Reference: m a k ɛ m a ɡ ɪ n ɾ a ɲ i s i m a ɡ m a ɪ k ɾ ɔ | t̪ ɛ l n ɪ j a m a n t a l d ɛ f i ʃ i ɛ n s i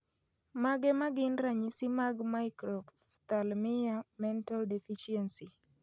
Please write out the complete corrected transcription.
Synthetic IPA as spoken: m a ɡ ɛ m a ɡ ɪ n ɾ a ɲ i s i m a ɡ m a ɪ k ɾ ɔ | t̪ a l m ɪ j a m ɛ n t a l d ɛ f i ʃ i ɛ n s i

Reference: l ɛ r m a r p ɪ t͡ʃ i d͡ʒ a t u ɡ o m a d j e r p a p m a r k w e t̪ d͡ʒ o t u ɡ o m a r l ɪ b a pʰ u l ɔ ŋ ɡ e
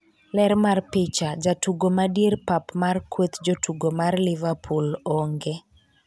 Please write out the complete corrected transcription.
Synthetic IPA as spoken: l ɛ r m a r p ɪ t͡ʃ a d͡ʒ a t u ɡ o m a d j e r p a p m a r k w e t̪ d͡ʒ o t u ɡ o m a r l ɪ v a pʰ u l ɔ ŋ ɡ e

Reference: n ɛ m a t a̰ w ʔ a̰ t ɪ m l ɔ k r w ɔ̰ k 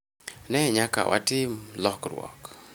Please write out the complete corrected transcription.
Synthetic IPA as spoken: n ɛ ɲ a k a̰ w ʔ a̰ t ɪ m l ɔ k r w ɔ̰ k

